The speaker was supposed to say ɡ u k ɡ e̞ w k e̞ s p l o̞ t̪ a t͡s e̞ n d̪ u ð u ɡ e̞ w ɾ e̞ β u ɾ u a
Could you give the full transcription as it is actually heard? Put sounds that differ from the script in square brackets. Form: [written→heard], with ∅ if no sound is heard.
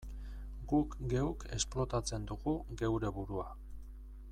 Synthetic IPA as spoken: ɡ u k ɡ e̞ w k e̞ s p l o̞ t̪ a t͡s e̞ n d̪ u [ð→ɣ] u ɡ e̞ w ɾ e̞ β u ɾ u a